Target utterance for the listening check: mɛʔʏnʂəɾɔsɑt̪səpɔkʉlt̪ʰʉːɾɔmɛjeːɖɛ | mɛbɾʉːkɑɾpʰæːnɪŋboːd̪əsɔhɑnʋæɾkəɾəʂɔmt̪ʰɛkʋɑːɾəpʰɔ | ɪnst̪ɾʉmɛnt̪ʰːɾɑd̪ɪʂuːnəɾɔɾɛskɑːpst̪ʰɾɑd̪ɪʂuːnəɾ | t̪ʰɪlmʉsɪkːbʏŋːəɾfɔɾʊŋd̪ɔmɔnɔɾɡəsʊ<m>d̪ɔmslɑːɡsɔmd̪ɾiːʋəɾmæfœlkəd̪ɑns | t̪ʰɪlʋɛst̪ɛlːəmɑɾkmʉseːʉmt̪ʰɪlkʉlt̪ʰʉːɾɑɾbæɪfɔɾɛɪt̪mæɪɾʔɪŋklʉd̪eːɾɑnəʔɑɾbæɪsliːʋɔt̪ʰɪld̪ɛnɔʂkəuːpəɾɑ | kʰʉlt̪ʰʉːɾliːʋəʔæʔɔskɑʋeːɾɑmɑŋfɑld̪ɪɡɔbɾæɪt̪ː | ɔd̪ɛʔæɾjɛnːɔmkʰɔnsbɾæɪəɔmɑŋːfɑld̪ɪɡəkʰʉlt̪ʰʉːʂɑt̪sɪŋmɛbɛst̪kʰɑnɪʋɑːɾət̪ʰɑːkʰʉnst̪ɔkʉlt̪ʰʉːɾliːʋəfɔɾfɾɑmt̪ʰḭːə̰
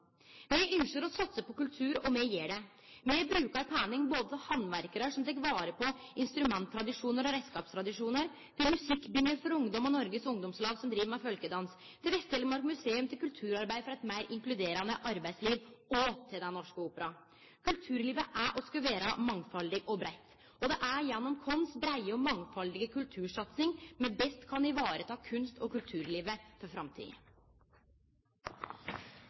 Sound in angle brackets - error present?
yes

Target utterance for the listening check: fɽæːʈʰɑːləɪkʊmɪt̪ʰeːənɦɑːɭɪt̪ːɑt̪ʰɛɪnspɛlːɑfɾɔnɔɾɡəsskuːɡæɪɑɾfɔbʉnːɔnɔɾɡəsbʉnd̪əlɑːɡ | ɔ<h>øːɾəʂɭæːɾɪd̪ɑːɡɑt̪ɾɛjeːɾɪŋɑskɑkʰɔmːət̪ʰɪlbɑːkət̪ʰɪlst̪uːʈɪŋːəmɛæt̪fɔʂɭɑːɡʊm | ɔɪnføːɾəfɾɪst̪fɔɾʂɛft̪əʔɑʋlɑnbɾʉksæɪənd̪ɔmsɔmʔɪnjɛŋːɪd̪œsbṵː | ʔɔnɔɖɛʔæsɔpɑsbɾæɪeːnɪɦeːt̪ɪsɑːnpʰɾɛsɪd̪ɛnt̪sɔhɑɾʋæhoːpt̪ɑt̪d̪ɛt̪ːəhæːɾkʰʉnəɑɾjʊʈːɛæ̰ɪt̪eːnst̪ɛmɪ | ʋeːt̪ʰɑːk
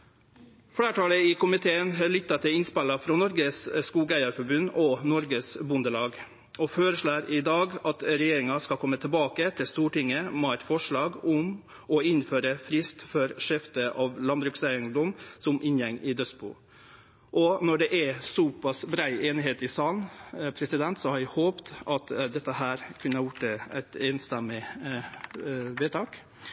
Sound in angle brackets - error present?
yes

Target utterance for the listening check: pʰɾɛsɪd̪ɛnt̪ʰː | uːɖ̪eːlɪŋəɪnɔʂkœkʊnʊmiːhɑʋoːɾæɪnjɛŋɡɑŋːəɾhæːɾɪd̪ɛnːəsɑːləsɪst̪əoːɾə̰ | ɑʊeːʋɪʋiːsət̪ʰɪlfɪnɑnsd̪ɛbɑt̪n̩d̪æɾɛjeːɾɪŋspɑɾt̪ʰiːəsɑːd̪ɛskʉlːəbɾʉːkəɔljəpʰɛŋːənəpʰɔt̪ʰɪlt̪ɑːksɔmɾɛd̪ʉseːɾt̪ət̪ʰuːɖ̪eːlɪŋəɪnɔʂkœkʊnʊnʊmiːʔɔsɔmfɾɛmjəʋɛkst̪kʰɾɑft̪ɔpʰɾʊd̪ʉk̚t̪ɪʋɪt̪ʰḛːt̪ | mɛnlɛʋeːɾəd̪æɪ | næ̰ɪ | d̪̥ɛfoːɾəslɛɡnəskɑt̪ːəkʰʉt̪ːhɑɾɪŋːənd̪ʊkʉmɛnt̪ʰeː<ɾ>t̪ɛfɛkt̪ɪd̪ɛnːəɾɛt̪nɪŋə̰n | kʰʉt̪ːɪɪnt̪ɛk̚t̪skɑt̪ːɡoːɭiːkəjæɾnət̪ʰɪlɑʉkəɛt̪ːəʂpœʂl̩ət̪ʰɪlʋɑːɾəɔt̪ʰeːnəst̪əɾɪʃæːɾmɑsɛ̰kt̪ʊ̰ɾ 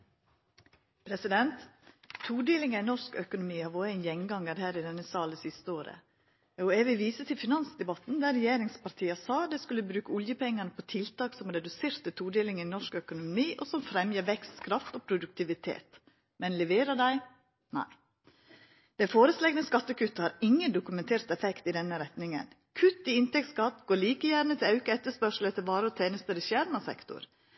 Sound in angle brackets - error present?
no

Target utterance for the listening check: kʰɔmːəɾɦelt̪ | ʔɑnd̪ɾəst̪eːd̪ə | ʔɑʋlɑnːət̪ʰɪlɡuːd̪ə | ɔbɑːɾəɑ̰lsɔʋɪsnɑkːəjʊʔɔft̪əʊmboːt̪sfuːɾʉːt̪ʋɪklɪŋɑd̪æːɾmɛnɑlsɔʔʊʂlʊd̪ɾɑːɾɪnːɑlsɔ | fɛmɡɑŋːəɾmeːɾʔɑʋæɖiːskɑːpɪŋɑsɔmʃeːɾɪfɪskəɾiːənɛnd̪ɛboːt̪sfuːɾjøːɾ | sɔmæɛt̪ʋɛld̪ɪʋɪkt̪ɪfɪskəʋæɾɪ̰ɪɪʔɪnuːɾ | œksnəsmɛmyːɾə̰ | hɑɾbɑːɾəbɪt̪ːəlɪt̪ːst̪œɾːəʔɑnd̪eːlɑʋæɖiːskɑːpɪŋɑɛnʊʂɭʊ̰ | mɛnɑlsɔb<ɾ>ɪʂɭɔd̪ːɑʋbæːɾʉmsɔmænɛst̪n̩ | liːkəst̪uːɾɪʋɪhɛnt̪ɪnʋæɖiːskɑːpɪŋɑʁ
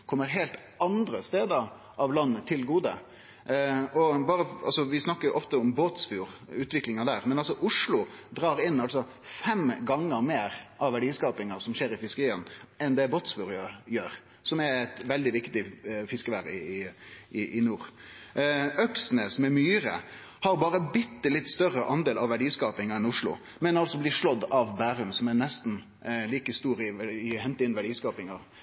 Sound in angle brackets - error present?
yes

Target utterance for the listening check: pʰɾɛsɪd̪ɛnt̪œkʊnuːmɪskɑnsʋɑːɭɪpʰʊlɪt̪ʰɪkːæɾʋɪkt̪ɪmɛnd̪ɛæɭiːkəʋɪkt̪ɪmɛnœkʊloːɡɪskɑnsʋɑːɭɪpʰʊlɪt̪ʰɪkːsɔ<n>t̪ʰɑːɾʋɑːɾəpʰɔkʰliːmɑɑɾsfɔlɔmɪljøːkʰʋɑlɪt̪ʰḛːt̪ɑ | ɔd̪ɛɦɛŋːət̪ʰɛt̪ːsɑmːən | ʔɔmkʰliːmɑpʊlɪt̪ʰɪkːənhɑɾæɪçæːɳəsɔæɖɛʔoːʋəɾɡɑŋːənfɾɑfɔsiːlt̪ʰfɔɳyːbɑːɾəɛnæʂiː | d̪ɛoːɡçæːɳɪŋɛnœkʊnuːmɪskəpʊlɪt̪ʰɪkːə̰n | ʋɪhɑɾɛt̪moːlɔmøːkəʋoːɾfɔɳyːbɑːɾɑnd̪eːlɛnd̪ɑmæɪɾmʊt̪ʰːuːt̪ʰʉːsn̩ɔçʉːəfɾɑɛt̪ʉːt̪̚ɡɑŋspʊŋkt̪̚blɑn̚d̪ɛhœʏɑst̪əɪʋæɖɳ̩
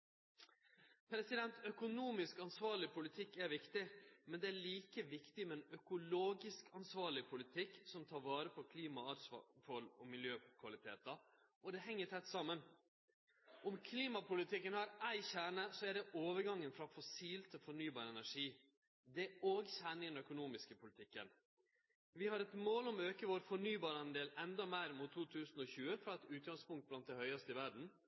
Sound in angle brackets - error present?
yes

